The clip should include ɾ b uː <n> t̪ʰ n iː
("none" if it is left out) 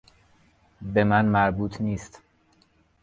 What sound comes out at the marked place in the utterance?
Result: none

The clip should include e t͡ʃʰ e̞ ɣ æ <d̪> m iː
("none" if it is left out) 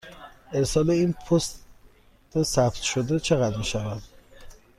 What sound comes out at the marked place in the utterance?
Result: d̪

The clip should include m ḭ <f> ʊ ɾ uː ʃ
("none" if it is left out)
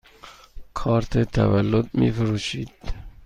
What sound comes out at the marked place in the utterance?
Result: f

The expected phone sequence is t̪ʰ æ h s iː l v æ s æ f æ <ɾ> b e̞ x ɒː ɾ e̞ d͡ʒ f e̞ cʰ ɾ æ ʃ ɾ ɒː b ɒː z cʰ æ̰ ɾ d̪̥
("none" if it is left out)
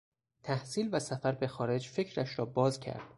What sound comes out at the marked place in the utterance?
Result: ɾ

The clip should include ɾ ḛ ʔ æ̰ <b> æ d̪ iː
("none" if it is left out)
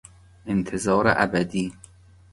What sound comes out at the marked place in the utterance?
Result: b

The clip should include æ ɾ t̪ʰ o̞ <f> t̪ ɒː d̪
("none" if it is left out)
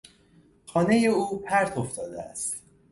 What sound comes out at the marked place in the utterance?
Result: f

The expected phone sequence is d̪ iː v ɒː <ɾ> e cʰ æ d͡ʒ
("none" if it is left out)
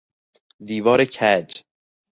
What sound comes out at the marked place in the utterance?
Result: ɾ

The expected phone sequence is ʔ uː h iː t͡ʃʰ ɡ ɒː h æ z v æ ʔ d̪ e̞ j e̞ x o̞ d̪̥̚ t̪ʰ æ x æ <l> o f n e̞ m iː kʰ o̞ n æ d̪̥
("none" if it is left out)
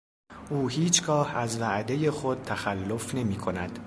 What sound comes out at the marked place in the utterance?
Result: lː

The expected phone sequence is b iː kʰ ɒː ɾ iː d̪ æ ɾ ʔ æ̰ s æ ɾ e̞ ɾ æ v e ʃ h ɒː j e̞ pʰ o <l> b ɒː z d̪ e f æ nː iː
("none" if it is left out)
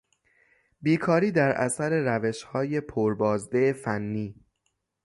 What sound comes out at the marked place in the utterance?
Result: ɾ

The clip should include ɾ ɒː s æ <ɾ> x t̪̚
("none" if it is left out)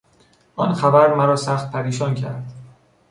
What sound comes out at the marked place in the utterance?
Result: none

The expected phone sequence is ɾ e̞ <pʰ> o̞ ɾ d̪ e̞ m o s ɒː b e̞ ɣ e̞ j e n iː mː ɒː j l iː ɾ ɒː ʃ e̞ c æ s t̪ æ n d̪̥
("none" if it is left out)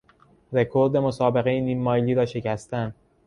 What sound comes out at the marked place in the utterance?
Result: kʰ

